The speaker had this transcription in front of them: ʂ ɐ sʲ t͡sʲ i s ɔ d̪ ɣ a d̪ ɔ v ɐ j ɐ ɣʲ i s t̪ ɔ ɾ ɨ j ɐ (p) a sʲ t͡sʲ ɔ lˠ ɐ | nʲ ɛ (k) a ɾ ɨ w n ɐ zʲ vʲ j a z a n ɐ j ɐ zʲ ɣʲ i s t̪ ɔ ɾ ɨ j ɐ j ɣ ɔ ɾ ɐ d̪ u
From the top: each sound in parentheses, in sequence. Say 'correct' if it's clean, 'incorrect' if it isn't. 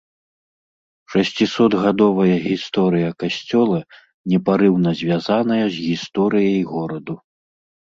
incorrect, incorrect

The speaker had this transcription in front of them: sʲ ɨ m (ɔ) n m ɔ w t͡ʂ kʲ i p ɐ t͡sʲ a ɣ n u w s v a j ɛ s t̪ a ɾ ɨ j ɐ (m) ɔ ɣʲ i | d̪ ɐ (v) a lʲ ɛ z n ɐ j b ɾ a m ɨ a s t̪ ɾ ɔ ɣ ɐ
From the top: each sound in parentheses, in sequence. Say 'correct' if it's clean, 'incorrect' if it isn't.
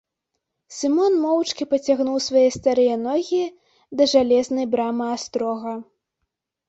correct, incorrect, incorrect

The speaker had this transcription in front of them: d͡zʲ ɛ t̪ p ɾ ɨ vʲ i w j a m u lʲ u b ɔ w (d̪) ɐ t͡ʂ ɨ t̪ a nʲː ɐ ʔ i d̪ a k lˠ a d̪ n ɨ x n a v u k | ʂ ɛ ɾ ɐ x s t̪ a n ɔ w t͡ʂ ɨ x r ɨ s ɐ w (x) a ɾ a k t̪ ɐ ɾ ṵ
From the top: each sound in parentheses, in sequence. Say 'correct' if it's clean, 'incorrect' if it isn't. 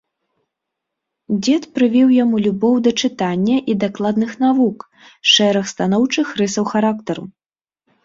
correct, correct

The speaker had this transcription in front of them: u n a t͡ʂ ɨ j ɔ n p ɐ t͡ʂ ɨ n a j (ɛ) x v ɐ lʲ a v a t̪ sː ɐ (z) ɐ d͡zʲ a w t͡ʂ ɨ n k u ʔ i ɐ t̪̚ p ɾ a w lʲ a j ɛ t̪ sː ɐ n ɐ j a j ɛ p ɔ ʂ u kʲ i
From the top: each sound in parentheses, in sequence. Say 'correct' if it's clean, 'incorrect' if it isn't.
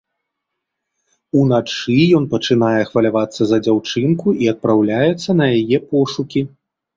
correct, correct

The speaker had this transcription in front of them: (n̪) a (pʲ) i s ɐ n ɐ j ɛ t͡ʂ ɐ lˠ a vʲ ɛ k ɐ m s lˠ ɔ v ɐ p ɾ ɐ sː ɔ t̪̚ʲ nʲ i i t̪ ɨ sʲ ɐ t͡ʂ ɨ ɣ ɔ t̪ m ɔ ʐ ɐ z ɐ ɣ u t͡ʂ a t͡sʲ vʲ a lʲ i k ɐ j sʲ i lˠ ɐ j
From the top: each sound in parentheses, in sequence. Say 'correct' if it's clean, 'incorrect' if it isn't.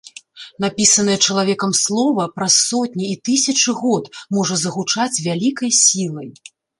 correct, correct

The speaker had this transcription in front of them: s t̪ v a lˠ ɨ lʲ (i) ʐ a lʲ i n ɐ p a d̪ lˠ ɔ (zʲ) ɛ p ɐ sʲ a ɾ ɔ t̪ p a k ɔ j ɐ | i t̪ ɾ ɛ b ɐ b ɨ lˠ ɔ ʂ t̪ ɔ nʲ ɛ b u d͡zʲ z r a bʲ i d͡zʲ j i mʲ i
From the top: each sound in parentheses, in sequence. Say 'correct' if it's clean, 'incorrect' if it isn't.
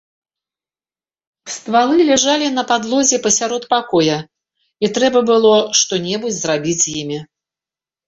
incorrect, correct

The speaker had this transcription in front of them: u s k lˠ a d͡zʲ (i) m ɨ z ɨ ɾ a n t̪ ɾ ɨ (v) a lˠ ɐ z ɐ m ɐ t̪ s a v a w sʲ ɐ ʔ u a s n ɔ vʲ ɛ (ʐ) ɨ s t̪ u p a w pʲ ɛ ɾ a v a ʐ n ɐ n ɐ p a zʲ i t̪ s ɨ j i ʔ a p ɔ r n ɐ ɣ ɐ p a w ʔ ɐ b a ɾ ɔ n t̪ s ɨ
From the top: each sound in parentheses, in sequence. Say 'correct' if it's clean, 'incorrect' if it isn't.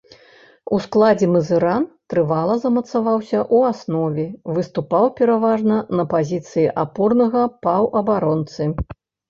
incorrect, correct, incorrect

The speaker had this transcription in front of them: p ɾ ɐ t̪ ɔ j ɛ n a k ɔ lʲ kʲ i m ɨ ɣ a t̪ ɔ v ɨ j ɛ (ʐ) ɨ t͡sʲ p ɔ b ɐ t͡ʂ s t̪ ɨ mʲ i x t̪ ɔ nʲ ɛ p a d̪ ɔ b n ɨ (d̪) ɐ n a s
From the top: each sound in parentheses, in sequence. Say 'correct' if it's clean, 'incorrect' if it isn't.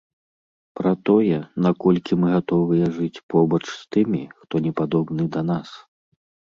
correct, correct

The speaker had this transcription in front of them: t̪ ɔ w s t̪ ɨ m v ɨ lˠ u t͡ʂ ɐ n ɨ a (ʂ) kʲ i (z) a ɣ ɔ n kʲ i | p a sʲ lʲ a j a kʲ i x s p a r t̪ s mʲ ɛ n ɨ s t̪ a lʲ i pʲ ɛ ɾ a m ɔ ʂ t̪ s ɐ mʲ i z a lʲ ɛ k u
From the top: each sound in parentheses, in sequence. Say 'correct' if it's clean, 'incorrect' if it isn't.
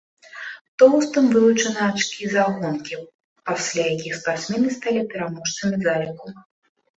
incorrect, correct

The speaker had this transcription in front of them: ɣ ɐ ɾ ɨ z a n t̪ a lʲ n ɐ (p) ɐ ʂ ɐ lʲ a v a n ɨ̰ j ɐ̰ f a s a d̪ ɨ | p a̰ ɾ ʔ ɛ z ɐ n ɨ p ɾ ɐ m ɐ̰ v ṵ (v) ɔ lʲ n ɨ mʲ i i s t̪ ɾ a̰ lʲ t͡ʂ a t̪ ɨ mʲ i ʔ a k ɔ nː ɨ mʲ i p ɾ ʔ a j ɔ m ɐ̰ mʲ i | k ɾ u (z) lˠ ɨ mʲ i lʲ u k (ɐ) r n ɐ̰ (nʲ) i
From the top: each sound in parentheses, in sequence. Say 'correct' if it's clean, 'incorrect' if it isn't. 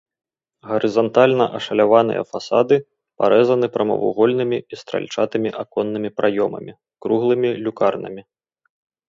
incorrect, incorrect, incorrect, incorrect, incorrect

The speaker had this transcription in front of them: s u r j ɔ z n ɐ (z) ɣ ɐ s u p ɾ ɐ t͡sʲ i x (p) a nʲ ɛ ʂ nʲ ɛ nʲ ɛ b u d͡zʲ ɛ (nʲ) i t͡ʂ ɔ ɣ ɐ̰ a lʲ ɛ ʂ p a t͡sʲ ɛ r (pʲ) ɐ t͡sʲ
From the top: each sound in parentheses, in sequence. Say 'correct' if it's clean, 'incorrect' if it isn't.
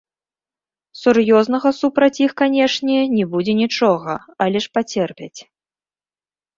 incorrect, incorrect, correct, correct

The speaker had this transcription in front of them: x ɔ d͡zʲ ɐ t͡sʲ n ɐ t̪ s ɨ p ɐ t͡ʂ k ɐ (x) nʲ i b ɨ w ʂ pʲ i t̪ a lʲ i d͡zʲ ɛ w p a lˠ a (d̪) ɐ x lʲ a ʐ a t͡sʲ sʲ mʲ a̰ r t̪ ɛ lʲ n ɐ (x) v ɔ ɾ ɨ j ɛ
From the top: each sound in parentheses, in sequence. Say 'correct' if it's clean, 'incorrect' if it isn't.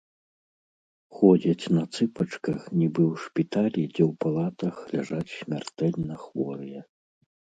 correct, incorrect, correct

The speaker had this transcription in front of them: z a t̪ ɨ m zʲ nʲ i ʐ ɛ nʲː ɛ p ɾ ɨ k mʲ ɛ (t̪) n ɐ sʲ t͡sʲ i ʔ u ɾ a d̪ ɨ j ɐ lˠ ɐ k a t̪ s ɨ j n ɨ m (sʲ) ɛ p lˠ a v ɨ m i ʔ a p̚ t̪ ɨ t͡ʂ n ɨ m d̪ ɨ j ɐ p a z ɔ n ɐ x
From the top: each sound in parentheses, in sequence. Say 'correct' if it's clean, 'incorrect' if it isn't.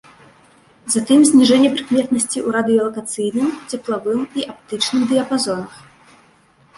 correct, incorrect

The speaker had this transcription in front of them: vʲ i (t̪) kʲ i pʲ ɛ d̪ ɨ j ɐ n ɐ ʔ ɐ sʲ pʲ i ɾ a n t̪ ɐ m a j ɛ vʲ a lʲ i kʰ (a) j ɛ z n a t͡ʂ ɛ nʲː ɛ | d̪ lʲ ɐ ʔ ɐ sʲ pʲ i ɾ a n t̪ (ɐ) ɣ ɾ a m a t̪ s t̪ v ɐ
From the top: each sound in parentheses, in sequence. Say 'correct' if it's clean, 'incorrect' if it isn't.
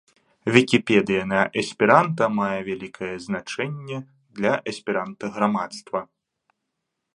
incorrect, incorrect, correct

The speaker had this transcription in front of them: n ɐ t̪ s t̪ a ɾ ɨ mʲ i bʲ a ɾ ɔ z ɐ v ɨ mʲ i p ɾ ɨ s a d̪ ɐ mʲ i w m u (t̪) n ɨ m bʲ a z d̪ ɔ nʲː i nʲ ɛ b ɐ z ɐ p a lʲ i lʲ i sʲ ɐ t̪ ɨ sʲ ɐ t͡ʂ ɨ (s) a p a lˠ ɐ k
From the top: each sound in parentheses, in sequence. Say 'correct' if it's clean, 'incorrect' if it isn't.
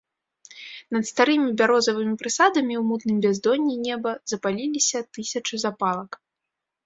correct, incorrect

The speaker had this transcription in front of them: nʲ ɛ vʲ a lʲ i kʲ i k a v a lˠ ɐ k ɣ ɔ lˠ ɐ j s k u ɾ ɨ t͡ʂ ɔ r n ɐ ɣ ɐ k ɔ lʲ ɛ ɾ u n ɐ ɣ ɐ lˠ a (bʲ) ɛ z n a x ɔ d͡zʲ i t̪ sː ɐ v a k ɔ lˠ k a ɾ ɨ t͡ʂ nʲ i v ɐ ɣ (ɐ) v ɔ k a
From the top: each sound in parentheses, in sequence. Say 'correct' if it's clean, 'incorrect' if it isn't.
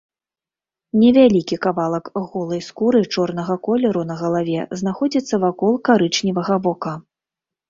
incorrect, correct

